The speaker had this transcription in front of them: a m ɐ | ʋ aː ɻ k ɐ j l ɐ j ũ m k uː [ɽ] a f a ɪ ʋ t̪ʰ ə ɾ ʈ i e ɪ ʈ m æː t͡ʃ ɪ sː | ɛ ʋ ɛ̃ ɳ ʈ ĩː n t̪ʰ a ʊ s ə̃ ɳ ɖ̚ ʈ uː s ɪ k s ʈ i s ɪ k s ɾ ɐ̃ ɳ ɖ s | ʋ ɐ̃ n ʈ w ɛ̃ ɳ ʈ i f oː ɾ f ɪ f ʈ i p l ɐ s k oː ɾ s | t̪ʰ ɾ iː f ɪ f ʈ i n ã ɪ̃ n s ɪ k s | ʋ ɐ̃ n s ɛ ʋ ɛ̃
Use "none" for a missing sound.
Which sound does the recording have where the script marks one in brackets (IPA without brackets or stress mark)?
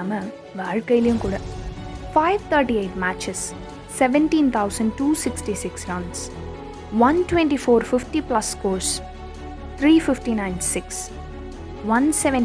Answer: ɽ